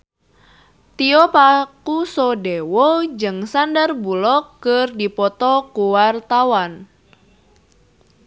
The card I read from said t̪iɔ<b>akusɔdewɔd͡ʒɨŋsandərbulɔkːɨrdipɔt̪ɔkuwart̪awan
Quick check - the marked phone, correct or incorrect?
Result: incorrect